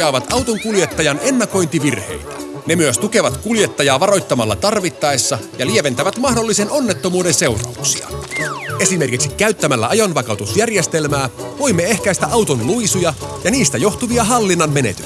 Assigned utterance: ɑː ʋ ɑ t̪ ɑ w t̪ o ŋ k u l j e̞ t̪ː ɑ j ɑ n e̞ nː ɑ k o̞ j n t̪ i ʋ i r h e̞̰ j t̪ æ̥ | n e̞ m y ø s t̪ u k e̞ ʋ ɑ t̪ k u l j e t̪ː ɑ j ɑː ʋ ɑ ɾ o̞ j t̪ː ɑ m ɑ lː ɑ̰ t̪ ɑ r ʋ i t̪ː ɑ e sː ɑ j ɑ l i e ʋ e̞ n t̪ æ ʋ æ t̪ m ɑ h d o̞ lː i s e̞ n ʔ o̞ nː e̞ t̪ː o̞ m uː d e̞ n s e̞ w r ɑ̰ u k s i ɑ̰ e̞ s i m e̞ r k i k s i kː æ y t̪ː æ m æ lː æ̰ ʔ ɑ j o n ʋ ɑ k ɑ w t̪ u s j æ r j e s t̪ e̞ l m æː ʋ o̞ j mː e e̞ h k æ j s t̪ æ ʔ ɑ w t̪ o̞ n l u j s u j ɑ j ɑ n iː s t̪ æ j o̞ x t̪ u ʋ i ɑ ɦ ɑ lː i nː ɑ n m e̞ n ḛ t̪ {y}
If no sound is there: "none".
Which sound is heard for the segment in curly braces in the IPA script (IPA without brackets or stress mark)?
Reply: y